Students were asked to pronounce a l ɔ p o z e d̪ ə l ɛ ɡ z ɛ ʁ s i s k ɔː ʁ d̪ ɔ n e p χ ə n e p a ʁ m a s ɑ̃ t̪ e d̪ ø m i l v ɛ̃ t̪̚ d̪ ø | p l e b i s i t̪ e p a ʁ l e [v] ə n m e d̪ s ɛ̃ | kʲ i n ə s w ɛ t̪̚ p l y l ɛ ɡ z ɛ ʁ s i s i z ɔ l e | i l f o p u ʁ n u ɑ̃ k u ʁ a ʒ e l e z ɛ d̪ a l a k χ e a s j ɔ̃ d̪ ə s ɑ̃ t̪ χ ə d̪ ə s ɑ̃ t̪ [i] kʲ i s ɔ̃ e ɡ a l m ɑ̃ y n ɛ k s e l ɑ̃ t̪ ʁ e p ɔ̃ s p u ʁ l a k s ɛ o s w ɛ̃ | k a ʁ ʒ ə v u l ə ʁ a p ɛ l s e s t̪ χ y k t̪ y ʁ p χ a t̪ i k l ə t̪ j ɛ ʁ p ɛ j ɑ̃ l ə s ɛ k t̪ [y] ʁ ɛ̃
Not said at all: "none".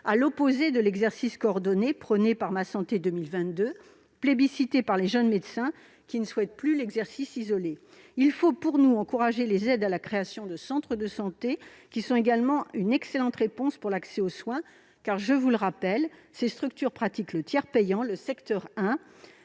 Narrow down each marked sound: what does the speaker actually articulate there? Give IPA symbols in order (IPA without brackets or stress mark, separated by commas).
ʒ, e, œ